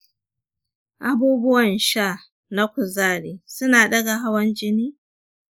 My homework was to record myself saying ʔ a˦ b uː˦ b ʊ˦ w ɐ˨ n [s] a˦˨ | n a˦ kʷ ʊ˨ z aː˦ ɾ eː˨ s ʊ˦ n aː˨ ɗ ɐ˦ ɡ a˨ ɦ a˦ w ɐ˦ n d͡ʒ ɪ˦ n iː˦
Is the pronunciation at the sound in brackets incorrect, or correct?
incorrect